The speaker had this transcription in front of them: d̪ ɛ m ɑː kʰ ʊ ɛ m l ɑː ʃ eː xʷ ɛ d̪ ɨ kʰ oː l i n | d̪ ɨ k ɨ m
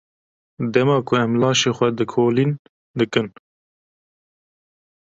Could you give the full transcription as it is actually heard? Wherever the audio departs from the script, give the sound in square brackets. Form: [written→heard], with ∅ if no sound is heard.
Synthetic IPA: d̪ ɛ m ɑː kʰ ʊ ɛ m l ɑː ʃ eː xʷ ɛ d̪ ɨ kʰ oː l i n | d̪ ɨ k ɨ [m→n]